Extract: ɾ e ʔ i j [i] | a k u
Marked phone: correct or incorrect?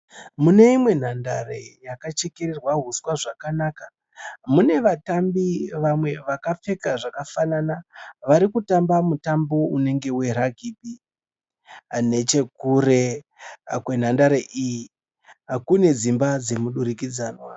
correct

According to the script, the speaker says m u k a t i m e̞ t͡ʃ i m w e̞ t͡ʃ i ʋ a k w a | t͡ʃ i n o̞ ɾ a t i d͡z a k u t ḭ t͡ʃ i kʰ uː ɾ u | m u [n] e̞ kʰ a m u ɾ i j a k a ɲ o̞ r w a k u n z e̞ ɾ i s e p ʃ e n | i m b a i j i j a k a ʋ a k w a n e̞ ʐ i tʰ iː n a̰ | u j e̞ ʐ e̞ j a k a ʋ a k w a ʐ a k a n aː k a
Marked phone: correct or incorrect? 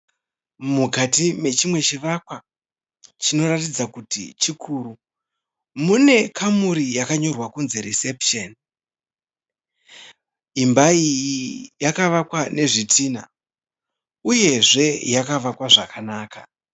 correct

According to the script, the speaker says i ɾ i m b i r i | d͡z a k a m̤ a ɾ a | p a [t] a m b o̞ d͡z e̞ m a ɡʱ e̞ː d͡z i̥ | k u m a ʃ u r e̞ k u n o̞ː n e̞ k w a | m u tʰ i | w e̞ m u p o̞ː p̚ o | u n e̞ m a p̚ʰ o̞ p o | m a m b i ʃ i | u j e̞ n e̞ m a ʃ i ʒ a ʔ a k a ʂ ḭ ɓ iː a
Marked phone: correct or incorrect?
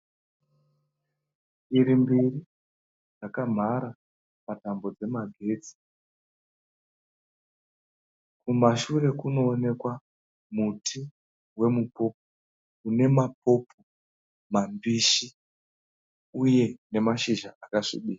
correct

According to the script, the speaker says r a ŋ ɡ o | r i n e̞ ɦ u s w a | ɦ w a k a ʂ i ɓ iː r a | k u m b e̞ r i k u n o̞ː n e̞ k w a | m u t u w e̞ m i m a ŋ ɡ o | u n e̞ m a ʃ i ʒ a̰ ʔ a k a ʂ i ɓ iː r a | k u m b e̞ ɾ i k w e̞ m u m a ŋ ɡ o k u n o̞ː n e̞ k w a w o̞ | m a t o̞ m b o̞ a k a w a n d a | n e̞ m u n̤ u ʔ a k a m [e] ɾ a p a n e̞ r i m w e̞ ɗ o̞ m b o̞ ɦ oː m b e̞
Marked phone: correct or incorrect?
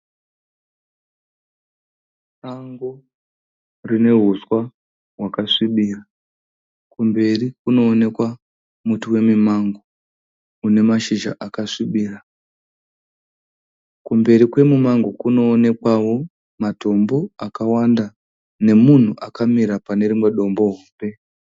incorrect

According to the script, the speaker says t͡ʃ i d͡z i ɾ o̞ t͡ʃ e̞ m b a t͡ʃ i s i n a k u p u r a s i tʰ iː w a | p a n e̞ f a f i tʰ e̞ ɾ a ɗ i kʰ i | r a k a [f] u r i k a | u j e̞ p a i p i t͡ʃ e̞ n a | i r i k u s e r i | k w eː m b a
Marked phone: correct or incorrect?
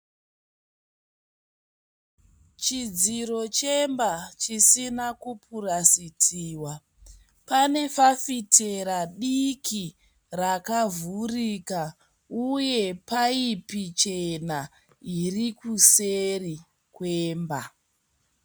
incorrect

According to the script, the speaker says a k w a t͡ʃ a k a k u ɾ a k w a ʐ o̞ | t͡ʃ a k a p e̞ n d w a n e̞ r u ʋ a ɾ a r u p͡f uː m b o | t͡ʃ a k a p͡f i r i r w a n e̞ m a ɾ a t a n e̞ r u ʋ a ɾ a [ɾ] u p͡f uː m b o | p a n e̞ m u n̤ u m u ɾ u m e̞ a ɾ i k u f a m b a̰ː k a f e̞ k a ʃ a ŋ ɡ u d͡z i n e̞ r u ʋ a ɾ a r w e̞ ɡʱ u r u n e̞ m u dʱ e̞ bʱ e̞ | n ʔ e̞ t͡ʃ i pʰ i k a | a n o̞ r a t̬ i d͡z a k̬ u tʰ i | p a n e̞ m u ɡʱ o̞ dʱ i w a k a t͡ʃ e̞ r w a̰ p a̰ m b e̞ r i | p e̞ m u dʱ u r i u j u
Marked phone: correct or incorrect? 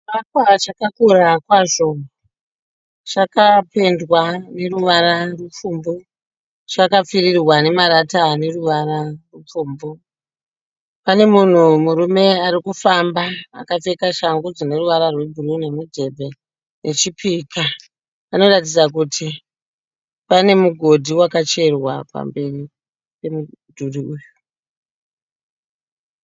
incorrect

